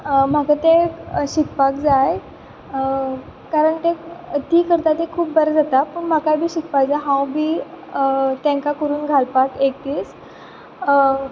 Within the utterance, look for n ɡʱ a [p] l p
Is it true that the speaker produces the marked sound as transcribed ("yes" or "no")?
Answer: no